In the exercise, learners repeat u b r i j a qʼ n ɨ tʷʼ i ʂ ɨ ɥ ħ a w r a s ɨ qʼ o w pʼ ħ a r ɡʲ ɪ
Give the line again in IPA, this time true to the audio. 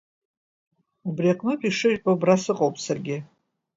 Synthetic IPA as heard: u b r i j a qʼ n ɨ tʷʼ i ʂ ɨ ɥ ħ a b r a s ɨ qʼ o w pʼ s a r ɡʲ ɪ